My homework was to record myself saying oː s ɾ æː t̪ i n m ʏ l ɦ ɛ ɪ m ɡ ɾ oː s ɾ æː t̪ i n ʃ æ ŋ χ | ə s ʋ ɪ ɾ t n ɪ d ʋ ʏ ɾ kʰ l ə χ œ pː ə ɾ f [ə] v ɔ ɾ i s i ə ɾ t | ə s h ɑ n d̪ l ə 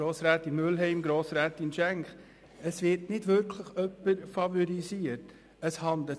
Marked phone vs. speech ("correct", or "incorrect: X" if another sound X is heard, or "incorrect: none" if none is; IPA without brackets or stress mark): incorrect: ɑ